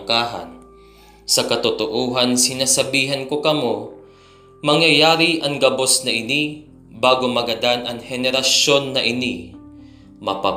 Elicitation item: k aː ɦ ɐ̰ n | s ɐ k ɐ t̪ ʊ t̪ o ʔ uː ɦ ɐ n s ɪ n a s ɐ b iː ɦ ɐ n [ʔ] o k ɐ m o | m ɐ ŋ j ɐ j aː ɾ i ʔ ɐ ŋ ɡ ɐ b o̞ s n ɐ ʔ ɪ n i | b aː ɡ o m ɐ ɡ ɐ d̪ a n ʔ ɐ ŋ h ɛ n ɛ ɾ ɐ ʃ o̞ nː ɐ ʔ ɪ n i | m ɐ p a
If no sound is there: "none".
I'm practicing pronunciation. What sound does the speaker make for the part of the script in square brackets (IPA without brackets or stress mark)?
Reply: k